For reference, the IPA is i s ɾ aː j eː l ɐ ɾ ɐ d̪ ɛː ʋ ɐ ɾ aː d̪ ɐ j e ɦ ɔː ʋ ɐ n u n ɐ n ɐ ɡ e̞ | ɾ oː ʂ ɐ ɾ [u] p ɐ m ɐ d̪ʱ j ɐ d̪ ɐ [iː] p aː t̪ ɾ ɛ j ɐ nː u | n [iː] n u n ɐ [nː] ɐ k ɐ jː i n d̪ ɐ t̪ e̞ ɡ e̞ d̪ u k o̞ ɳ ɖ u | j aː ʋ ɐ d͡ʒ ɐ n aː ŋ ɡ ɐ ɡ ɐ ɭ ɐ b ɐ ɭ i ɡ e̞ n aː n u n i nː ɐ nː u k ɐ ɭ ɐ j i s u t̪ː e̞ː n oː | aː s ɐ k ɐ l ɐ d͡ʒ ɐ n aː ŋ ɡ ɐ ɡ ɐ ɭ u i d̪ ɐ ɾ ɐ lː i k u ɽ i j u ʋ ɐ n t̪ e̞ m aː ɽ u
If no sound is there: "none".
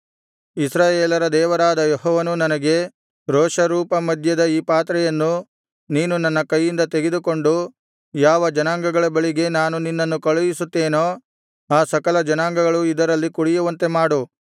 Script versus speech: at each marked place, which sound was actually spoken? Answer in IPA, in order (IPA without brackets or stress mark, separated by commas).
uː, iː, iː, nː